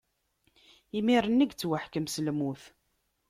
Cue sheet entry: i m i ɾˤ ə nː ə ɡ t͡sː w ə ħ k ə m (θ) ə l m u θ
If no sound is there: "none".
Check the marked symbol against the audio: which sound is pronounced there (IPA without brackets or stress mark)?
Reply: s